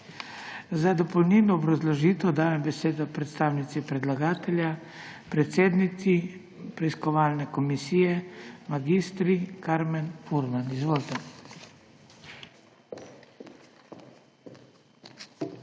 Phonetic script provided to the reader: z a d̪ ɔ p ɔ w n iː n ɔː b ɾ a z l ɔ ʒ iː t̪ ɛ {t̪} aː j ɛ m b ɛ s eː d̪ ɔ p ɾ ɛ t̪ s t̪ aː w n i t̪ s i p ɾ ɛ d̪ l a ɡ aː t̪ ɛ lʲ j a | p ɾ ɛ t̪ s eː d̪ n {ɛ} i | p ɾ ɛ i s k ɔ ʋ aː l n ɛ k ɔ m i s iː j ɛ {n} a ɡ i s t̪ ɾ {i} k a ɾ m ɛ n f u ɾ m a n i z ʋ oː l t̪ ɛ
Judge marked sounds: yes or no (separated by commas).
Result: no, no, no, yes